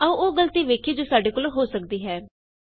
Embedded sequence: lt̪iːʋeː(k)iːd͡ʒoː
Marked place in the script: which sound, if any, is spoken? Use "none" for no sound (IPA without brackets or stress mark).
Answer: kʰ